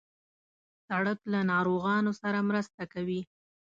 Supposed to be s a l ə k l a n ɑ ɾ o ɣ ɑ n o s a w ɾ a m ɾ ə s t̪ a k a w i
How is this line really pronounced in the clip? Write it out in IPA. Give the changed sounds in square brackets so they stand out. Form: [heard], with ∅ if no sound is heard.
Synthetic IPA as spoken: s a [ɽ] ə k l a n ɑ ɾ o ɣ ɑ n o s a [∅] ɾ a m ɾ ə s t̪ a k a w i